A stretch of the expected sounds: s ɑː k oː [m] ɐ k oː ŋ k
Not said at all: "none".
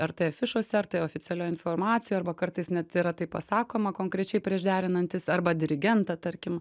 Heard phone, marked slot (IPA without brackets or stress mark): m